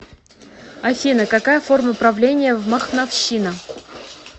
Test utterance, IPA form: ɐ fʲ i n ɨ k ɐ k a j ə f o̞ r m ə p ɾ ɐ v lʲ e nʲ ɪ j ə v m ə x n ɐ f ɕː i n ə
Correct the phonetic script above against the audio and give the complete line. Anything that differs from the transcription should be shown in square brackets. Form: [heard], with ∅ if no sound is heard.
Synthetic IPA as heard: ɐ fʲ i n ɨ k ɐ k a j ə f o̞ r m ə p ɾ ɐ v lʲ e nʲ ɪ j ə v m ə x n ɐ f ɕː i n ə